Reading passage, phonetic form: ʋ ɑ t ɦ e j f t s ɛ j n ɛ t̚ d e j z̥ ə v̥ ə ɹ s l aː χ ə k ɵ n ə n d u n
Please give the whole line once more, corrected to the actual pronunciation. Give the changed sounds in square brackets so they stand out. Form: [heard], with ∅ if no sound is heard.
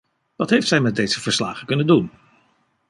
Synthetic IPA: ʋ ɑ t ɦ e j f t s ɛ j [m] ɛ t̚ d e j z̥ ə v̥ ə ɹ s l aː χ ə k ɵ n ə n d u n